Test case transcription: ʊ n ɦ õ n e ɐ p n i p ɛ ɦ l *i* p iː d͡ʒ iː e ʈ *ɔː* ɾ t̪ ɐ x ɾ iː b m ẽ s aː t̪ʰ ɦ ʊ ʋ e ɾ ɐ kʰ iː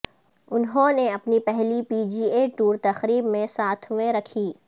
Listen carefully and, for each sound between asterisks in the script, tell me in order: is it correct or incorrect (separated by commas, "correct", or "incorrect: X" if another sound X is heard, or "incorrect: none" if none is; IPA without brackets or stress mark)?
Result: correct, incorrect: uː